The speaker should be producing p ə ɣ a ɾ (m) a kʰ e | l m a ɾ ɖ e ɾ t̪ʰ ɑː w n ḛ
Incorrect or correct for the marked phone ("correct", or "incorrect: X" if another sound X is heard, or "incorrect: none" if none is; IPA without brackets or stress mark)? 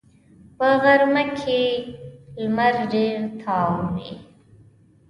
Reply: correct